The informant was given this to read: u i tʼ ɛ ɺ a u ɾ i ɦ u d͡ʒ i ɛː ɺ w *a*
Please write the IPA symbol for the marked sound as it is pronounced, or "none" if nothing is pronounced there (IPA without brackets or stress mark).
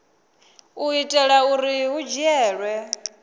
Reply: ɛ